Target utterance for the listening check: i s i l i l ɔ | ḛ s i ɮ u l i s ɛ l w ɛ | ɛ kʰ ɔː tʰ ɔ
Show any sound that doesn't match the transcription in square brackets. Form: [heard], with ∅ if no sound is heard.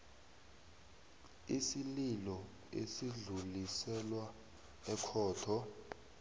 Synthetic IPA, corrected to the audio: i s i l i l ɔ | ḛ s i ɮ u l i s ɛ l w [a] | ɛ kʰ ɔː tʰ ɔ